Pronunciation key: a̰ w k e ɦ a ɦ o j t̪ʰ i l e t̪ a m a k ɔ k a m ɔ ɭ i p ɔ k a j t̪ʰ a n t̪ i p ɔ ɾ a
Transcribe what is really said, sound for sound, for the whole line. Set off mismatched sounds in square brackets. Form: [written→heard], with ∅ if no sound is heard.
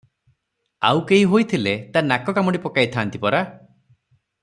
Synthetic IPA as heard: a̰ w k e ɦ [a→i] ɦ o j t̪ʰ i l e t̪ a [m→n] a k ɔ k a m ɔ [ɭ→ɽ] i p ɔ k a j t̪ʰ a n t̪ i p ɔ ɾ a